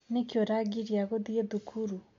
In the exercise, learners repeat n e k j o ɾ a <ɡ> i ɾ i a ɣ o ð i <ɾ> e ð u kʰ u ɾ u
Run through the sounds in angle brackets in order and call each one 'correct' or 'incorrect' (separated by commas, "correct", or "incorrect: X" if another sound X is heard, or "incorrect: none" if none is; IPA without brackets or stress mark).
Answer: correct, incorrect: none